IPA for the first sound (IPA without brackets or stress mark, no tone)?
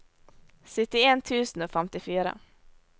s